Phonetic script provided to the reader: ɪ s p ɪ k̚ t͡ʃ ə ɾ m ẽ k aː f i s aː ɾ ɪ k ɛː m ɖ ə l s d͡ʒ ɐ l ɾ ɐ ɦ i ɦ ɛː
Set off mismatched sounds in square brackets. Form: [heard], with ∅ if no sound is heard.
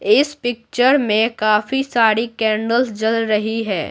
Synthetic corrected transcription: ɪ s p ɪ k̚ t͡ʃ ə ɾ m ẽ k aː f i s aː ɾ [i] k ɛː [ɳ] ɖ ə l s d͡ʒ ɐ l ɾ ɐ ɦ i ɦ ɛː